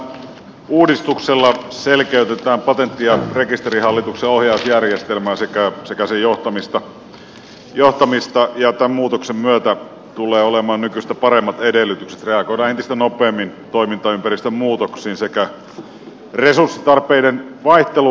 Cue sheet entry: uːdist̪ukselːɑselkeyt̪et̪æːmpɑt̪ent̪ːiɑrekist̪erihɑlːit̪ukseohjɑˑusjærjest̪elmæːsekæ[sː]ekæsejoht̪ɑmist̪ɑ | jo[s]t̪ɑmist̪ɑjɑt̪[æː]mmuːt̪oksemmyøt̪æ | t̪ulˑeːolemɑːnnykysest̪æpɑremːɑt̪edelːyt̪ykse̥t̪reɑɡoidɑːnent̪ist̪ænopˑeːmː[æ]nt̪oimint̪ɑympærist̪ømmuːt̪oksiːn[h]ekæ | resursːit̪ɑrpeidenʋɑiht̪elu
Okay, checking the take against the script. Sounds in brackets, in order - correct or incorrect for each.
incorrect, incorrect, incorrect, incorrect, incorrect

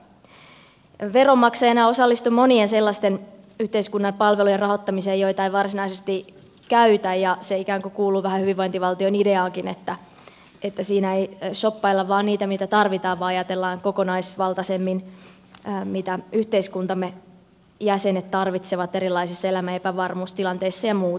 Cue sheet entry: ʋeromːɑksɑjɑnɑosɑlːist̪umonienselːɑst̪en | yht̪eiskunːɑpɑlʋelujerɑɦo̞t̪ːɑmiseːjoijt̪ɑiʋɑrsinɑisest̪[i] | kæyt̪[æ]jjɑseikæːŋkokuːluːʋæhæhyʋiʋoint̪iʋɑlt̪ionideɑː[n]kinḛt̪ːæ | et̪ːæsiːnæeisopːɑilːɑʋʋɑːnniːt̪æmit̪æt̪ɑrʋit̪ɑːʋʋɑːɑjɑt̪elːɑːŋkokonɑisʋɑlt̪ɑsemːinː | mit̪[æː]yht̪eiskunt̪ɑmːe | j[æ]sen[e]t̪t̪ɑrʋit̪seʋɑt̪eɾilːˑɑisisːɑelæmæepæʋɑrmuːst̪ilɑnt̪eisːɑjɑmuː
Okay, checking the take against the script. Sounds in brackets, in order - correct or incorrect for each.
correct, correct, incorrect, incorrect, correct, correct

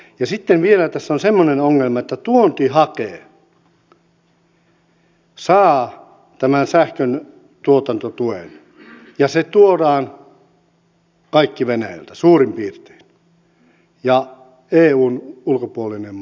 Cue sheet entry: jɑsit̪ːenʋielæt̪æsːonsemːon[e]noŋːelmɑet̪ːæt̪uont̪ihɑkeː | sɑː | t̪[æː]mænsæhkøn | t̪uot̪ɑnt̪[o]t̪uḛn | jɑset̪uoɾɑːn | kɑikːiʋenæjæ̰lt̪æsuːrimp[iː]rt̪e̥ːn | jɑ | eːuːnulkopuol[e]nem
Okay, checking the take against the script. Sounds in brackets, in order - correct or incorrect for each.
correct, incorrect, correct, correct, incorrect

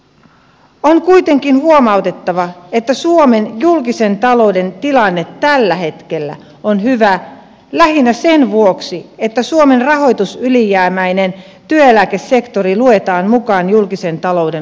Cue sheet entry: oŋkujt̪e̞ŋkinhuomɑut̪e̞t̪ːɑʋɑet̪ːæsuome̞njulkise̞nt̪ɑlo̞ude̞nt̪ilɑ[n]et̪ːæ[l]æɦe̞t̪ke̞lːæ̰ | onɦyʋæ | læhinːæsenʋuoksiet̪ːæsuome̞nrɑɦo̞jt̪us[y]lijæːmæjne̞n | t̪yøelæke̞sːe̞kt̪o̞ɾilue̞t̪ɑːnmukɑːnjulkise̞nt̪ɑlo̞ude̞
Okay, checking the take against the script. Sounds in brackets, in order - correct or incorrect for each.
incorrect, incorrect, correct

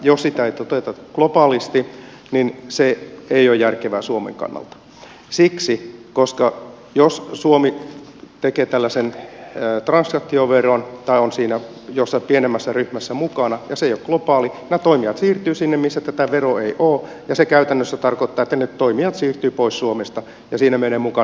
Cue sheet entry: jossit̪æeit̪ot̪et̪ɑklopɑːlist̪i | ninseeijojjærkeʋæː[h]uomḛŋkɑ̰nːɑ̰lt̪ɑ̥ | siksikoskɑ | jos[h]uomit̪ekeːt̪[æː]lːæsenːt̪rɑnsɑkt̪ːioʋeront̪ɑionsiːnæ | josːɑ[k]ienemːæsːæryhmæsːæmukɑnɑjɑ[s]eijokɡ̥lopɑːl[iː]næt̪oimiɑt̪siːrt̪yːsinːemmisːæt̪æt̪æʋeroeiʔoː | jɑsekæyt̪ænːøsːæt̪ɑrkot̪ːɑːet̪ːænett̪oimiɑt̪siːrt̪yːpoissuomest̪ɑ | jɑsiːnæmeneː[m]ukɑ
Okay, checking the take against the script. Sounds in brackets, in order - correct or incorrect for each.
incorrect, incorrect, incorrect, incorrect, correct, incorrect, correct

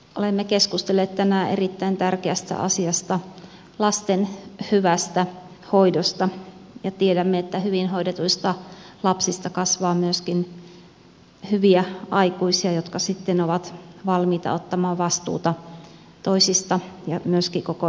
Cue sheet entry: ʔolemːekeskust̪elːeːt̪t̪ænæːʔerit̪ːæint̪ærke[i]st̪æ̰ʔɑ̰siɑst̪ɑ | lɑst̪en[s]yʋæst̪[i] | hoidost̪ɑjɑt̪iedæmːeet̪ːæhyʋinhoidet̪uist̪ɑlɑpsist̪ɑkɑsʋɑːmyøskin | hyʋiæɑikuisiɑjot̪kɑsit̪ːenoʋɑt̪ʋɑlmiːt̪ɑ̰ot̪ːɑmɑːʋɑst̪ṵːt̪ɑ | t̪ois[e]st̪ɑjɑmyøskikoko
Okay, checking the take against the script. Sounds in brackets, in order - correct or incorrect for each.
incorrect, incorrect, incorrect, incorrect

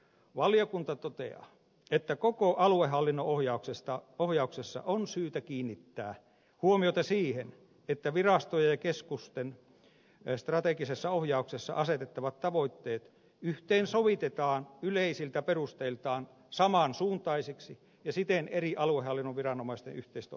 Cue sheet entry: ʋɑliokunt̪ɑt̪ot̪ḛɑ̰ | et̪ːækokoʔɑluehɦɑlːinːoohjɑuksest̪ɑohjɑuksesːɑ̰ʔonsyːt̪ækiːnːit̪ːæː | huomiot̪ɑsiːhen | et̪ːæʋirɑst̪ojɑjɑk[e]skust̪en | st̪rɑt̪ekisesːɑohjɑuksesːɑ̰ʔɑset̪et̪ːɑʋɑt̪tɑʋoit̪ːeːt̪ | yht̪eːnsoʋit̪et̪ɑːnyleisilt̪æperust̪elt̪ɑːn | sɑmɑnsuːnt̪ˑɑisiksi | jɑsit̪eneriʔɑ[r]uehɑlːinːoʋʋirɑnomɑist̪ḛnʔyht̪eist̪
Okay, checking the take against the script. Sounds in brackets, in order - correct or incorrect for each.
correct, incorrect

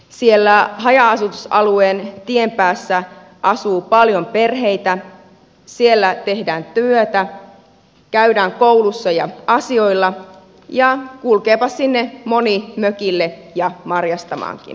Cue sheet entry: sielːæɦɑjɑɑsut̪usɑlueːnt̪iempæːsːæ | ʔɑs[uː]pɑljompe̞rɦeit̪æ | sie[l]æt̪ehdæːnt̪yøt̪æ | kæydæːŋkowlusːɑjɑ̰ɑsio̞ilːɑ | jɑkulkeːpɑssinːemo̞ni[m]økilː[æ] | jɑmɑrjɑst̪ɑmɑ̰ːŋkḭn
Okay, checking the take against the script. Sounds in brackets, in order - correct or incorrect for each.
correct, incorrect, correct, incorrect

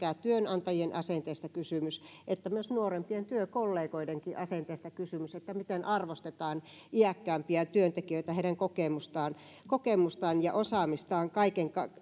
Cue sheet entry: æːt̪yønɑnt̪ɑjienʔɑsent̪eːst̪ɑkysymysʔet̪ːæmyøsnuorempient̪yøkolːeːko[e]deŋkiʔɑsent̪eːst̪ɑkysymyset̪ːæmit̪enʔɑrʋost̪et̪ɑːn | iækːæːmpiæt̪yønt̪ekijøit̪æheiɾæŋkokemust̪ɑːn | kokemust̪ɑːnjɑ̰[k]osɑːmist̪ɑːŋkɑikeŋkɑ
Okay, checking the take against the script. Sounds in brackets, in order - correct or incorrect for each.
incorrect, incorrect

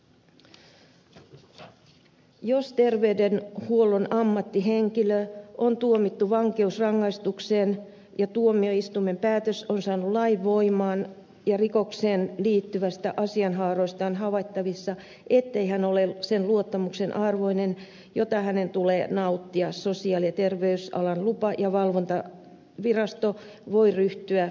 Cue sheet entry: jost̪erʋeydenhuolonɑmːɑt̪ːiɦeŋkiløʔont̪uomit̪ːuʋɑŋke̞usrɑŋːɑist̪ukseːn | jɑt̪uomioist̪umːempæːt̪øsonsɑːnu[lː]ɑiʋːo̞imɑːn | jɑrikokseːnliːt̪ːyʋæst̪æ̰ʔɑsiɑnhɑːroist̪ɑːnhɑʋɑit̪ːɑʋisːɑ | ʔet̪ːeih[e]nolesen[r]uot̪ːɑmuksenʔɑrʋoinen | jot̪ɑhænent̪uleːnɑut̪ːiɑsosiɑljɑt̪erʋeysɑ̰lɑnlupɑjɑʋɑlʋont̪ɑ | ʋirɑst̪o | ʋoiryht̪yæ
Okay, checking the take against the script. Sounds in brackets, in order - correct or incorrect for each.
incorrect, incorrect, incorrect

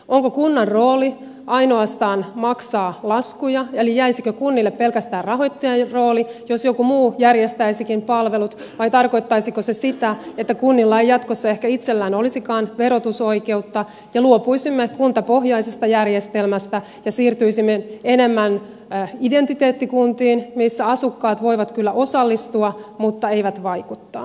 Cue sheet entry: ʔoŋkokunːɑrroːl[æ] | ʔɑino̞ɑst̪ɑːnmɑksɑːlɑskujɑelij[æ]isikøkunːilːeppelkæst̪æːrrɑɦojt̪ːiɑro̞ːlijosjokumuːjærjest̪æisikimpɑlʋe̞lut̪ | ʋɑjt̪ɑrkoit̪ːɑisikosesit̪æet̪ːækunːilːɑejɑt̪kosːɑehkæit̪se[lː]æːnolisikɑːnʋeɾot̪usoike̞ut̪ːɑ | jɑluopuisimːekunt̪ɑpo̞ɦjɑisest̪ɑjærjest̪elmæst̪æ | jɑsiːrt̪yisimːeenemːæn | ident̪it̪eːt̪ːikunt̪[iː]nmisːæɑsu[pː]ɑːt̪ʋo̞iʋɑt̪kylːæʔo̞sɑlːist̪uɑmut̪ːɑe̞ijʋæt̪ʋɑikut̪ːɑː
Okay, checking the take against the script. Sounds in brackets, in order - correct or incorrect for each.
incorrect, correct, correct, correct, incorrect

